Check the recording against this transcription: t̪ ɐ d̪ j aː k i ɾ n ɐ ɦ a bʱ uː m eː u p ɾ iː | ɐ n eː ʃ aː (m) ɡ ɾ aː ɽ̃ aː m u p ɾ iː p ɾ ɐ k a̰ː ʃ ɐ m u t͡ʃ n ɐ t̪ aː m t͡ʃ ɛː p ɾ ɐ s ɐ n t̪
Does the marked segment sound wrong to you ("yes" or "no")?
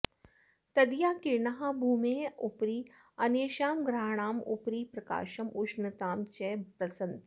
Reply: no